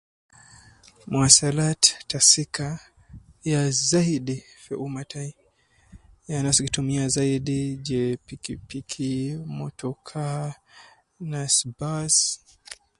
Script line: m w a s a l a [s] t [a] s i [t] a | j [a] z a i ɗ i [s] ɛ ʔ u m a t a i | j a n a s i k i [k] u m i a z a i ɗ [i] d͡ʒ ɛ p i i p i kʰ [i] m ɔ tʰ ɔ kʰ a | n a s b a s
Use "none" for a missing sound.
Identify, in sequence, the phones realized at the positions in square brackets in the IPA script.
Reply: t, a, k, a, f, t, i, i

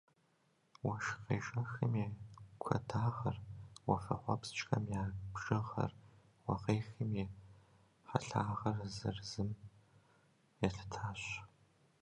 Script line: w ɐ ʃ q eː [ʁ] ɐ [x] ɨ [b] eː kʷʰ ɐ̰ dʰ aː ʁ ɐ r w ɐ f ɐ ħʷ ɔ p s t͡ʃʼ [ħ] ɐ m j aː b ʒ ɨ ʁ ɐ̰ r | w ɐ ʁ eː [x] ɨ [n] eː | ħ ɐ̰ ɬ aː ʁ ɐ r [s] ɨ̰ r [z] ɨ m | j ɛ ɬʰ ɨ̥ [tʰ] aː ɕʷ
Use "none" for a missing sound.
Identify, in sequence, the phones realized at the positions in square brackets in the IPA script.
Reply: ʒ, x, m, x, x, m, z, z, tʰ

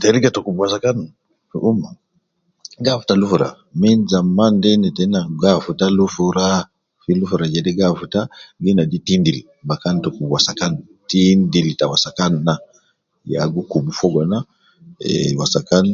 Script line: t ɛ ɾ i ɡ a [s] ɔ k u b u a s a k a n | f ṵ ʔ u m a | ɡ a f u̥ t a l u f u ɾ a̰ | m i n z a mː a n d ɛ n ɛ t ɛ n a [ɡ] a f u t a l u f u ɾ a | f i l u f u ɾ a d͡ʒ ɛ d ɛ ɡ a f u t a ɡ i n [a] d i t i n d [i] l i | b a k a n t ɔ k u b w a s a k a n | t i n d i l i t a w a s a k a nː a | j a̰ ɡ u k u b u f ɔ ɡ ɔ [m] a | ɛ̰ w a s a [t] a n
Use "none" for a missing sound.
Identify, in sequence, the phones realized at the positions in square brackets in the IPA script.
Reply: t, ɡ, a, i, n, k

